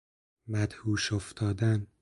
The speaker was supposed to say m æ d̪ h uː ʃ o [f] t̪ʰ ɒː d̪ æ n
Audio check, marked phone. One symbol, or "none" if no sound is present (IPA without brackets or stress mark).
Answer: f